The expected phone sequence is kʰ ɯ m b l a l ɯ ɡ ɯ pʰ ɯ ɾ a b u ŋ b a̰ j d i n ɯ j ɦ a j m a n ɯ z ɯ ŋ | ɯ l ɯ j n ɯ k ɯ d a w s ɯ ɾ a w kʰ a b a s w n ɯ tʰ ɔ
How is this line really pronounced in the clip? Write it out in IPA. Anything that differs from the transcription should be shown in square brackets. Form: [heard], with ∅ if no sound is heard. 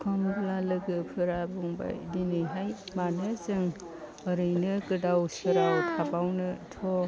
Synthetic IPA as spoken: kʰ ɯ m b l a l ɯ ɡ ɯ pʰ ɯ ɾ a b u ŋ b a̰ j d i n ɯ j ɦ a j m a n ɯ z ɯ ŋ | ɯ [ɾ] ɯ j n ɯ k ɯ d a w s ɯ ɾ a w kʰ a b a [∅] w n ɯ tʰ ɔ